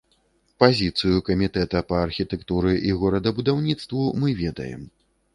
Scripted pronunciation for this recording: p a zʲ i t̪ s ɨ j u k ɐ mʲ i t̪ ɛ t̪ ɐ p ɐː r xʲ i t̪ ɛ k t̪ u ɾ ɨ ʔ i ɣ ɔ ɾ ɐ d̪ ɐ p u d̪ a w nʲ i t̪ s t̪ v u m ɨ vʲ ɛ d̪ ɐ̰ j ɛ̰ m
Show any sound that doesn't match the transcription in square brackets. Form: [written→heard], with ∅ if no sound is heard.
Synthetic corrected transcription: p a zʲ i t̪ s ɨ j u k ɐ mʲ i t̪ ɛ t̪ ɐ p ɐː r xʲ i t̪ ɛ k t̪ u ɾ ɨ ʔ i ɣ ɔ ɾ ɐ d̪ ɐ [p→b] u d̪ a w nʲ i t̪ s t̪ v u m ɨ vʲ ɛ d̪ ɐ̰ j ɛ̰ m